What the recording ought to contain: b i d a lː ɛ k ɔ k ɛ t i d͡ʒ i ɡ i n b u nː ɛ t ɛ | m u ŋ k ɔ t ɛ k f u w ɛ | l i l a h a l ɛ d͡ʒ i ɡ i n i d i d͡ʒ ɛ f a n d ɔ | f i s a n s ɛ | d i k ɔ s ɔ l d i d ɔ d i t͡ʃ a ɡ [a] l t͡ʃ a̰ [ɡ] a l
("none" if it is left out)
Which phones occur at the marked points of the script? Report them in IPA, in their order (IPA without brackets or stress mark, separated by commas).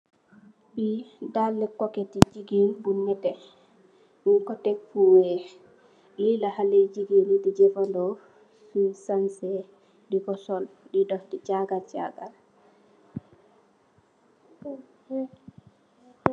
a, ɡ